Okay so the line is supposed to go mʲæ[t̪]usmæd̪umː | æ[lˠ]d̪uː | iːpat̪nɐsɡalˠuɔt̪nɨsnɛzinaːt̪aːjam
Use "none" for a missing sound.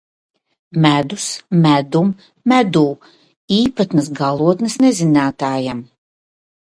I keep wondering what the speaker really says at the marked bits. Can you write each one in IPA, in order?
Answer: d̪, none

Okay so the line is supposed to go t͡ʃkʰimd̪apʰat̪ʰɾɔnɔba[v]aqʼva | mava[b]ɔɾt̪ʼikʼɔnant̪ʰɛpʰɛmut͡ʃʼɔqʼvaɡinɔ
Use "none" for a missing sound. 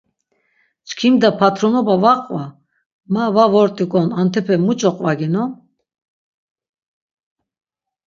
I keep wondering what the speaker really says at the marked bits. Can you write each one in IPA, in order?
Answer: v, v

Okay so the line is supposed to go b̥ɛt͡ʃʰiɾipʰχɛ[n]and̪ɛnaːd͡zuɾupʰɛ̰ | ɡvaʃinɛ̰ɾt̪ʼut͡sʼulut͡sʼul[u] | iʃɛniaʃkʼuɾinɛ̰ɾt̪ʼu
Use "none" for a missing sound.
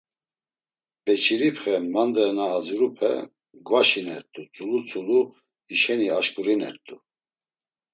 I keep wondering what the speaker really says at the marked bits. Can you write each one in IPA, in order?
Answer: m, u

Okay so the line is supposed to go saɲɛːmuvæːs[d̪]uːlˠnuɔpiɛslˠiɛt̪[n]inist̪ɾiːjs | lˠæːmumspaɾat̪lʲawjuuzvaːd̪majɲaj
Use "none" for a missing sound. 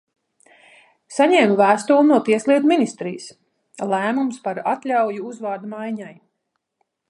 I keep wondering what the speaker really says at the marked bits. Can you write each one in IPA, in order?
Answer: t̪, m

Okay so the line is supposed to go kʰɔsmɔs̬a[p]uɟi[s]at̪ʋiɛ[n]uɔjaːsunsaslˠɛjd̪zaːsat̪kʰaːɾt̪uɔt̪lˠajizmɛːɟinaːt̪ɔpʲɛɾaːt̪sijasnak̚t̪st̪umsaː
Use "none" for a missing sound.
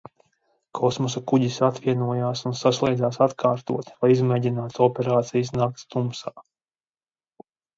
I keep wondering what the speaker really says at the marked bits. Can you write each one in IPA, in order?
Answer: k, s, n

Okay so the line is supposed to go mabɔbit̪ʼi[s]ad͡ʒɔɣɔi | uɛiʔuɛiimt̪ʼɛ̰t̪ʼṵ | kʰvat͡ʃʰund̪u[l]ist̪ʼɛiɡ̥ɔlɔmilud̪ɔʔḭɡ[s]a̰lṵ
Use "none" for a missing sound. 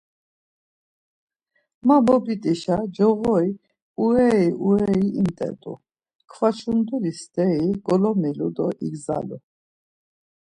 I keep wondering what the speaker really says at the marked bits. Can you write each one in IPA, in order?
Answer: ʃ, l, z

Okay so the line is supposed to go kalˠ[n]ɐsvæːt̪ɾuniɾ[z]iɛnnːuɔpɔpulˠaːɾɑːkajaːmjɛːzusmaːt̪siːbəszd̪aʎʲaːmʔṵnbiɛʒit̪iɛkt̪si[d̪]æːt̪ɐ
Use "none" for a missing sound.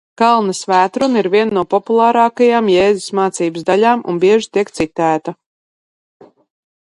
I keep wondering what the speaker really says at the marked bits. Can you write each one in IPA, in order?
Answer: n, v, t̪

